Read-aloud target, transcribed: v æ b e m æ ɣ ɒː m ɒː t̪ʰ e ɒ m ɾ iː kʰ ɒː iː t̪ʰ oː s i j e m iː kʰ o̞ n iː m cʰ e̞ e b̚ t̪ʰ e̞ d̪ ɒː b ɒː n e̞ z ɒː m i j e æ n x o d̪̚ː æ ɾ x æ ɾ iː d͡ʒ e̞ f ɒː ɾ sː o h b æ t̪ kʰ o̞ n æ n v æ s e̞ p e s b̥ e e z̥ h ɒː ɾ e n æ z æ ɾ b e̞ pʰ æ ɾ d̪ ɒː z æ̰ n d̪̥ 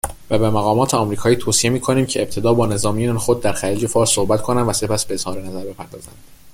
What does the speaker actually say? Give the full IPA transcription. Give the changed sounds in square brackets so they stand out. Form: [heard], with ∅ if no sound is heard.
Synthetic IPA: v æ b e m æ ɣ ɒː m ɒː t̪ʰ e ɒ m ɾ iː kʰ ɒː iː t̪ʰ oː s i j e m iː kʰ o̞ n iː m cʰ e̞ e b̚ t̪ʰ e̞ d̪ ɒː b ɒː n e̞ z ɒː m i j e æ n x o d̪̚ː æ ɾ x æ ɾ iː d͡ʒ e̞ f ɒː ɾ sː o h b æ t̪ kʰ o̞ n æ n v æ s e̞ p [æ] s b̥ e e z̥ h ɒː ɾ e n æ z æ ɾ b e̞ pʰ æ ɾ d̪ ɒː z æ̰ n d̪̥